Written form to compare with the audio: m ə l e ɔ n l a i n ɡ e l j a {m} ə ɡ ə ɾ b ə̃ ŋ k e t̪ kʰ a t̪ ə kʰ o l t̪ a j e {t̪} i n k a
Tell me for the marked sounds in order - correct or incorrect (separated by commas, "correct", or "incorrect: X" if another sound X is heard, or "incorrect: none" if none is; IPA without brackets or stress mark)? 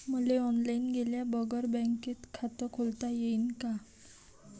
incorrect: b, incorrect: none